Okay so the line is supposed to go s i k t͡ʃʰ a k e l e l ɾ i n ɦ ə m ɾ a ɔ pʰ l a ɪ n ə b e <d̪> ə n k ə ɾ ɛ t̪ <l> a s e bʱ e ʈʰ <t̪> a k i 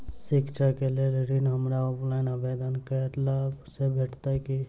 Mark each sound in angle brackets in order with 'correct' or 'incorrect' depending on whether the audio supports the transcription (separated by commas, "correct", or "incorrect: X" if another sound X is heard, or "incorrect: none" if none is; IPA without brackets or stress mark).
correct, correct, correct